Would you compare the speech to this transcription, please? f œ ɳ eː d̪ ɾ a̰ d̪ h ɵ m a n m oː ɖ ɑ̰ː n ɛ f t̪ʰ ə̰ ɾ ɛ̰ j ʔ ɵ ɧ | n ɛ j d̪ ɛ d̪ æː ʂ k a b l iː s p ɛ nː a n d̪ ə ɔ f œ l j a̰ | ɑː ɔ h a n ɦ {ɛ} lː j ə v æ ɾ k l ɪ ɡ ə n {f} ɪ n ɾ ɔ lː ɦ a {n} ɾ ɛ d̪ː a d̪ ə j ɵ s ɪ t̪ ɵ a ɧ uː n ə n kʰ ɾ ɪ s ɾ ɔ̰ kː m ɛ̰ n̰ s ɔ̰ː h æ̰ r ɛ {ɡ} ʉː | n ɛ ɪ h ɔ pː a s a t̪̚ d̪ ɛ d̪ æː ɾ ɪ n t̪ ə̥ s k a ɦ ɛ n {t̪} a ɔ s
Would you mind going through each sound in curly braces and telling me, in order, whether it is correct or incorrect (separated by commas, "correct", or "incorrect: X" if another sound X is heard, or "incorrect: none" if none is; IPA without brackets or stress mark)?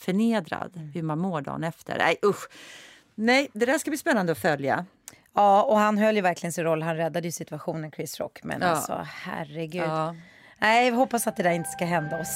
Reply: incorrect: œ, incorrect: s, correct, correct, incorrect: d̪